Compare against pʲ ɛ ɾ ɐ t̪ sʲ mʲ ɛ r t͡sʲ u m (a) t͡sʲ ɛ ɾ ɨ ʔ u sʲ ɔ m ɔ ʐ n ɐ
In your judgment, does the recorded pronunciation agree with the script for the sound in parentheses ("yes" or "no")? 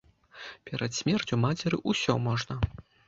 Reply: yes